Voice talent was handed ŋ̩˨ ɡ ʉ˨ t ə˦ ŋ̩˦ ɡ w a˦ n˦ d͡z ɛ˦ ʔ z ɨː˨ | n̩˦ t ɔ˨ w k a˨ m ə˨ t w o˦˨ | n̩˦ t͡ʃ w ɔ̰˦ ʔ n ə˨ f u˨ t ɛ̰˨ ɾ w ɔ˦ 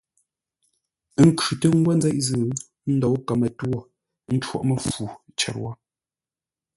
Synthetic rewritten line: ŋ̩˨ k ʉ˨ t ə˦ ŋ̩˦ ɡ w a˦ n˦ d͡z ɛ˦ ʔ z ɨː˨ | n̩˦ d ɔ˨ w k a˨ m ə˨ t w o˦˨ | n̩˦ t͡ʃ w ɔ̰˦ ʔ m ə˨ f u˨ t͡ʃ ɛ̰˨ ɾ w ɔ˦